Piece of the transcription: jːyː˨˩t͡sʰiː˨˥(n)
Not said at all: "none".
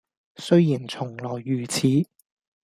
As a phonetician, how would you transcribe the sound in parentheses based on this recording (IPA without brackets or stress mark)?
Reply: none